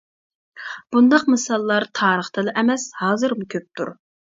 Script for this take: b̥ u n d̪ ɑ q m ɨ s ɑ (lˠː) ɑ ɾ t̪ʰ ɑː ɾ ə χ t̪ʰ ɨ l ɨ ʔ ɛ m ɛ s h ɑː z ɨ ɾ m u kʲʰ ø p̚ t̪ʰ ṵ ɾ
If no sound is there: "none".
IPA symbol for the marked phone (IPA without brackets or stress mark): lˠː